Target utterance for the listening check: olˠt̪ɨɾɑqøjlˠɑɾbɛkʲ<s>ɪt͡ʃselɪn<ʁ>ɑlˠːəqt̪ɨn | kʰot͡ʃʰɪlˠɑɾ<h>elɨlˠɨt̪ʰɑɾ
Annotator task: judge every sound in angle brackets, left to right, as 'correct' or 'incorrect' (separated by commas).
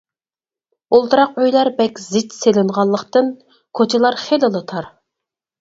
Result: incorrect, correct, incorrect